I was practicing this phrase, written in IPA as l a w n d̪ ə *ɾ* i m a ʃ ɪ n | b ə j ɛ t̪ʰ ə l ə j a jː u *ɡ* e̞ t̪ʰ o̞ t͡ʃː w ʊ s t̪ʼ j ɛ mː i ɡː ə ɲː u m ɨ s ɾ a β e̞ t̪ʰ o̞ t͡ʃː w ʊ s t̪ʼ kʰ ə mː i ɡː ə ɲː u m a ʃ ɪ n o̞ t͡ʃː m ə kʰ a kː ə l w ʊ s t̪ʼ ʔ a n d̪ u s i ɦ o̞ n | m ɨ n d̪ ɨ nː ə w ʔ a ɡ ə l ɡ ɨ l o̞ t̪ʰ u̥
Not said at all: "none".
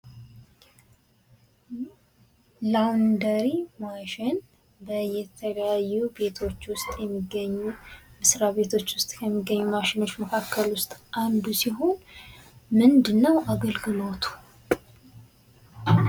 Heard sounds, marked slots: ɾ, b

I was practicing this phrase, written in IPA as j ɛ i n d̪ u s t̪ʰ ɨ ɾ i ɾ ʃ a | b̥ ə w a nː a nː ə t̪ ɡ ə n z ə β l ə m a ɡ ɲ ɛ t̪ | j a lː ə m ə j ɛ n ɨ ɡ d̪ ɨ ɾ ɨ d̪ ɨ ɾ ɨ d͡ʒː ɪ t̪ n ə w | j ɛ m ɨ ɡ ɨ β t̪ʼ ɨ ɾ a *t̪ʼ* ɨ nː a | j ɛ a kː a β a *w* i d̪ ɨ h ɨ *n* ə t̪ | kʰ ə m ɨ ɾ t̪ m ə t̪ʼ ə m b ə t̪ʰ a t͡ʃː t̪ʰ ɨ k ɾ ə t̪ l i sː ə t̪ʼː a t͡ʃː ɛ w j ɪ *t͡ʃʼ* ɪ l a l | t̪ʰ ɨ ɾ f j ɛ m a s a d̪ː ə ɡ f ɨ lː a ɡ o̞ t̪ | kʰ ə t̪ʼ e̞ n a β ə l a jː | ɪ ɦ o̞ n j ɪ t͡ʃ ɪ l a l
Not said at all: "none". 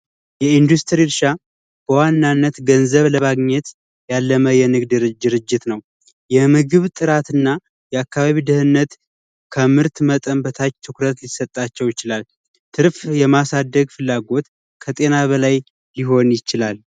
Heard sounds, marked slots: t̪, β, nː, t͡ʃ

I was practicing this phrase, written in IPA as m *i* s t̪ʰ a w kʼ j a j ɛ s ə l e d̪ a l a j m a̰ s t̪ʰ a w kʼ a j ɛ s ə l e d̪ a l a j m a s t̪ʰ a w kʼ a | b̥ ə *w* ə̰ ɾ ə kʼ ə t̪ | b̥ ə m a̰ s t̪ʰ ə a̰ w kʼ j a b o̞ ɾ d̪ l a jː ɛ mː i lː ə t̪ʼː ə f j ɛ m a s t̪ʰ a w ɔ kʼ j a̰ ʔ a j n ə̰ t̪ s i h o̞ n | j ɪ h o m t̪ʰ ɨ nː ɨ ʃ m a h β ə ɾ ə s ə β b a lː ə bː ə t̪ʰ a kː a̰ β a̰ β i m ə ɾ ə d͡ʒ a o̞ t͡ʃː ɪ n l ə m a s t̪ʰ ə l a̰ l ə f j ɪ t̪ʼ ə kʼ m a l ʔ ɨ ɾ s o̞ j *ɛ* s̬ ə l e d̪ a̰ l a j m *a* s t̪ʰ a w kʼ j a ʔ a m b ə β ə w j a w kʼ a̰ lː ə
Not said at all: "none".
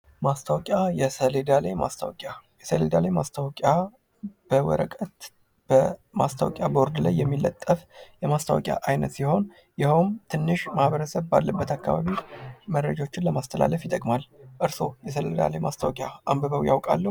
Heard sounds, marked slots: a, w, ɛ, a

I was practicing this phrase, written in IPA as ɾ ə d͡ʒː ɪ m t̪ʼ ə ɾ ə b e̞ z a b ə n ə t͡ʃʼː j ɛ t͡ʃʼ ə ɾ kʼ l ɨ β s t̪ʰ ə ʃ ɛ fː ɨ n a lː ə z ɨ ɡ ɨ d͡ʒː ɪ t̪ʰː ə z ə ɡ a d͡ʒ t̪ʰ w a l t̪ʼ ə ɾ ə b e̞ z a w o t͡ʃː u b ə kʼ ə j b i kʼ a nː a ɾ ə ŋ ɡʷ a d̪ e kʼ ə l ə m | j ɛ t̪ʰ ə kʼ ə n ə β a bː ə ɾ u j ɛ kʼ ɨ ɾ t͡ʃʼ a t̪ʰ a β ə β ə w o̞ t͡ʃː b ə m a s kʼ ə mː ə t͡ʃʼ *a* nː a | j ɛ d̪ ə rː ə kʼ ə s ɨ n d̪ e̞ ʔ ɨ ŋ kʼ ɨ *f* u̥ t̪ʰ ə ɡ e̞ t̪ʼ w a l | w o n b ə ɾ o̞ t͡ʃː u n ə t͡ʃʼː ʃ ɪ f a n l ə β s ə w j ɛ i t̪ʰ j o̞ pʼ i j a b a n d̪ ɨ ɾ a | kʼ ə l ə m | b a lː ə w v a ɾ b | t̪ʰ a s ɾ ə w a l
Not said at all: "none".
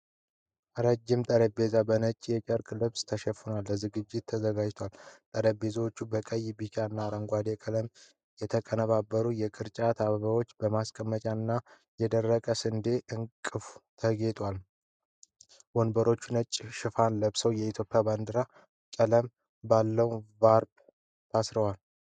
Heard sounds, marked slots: a, f

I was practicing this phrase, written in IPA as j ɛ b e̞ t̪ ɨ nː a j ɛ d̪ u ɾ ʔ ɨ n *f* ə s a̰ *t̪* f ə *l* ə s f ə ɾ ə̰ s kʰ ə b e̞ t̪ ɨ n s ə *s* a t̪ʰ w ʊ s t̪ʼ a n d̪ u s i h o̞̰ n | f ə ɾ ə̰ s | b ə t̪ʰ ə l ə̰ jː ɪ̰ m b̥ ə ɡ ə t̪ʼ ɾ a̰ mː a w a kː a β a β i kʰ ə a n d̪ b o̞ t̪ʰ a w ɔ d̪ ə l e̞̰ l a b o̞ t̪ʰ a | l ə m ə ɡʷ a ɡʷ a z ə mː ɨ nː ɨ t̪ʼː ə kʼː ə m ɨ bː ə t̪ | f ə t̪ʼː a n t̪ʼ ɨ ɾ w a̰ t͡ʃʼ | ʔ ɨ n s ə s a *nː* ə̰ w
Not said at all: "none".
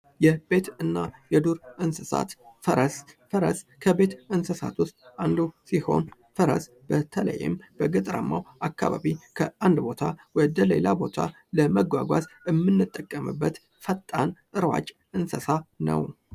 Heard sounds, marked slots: s, t̪, ɾ, s, n

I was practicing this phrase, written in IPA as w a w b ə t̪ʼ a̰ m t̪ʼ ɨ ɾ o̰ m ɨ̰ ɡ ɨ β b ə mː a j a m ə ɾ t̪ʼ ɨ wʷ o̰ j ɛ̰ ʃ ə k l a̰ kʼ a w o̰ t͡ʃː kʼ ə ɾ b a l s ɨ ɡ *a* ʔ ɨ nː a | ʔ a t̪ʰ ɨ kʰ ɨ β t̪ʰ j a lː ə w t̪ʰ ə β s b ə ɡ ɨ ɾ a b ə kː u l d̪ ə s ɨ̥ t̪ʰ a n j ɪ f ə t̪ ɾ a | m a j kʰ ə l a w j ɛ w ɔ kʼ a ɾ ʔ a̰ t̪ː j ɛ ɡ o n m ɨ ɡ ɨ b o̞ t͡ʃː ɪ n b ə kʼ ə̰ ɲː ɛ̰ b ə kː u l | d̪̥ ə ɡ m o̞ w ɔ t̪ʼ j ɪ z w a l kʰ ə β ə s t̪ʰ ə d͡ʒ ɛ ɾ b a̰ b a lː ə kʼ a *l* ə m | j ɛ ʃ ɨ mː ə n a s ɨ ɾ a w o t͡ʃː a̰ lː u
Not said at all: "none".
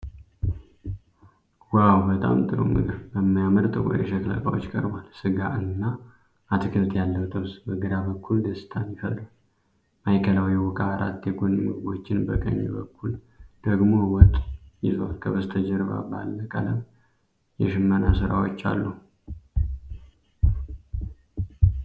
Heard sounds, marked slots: a, l

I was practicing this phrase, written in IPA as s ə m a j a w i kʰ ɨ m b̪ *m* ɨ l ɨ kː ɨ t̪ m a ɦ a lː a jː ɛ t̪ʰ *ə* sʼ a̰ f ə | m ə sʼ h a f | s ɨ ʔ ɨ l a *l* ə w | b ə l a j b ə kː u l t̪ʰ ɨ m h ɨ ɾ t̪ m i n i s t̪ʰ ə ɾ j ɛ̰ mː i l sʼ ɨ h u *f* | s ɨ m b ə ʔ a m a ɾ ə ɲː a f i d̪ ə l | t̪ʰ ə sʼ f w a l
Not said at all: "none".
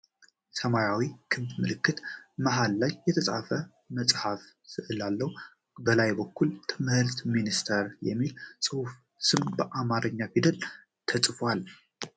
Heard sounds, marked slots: m, ə, lː, f

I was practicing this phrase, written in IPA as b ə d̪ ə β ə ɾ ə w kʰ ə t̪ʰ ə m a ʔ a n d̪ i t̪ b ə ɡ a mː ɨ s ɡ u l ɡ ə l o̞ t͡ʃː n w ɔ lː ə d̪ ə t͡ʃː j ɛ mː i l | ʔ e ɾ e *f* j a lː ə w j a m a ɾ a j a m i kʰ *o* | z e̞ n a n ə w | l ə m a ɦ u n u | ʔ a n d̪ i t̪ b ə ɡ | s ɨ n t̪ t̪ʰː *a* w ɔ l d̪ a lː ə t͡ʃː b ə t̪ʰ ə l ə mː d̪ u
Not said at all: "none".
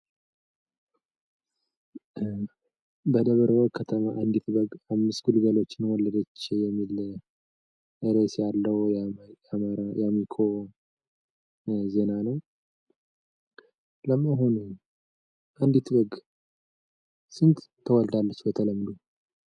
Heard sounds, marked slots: s, o, ə

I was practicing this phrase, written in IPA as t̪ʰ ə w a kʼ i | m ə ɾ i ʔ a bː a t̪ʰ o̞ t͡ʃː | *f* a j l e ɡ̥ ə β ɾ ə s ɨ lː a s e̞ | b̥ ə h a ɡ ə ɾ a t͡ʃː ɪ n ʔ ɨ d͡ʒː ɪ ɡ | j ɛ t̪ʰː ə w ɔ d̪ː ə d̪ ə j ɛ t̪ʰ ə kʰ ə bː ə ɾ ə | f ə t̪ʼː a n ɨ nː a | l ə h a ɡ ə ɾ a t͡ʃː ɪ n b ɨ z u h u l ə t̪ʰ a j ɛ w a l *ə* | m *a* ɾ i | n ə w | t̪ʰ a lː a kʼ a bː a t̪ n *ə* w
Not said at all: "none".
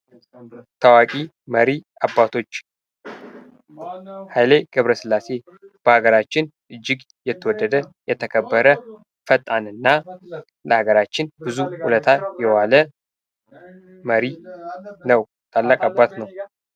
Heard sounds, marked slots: h, ə, ə, ə

